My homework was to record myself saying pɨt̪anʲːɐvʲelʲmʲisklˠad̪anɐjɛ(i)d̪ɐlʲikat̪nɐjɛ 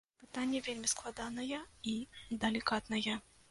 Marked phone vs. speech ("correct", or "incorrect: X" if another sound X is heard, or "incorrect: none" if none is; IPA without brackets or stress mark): correct